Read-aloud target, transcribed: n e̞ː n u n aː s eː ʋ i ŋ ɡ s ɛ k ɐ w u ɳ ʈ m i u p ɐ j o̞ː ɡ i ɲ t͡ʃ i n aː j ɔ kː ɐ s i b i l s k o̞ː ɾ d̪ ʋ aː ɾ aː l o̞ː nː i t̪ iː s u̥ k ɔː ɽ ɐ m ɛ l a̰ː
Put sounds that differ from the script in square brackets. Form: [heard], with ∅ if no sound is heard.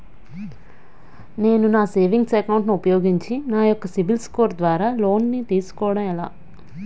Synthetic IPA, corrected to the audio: n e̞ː n u n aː s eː ʋ i ŋ ɡ s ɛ k ɐ w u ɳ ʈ [n] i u p ɐ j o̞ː ɡ i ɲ t͡ʃ i n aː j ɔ kː ɐ s i b i l s k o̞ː ɾ d̪ ʋ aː ɾ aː l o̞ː nː i t̪ iː s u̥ k ɔː ɽ ɐ m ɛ l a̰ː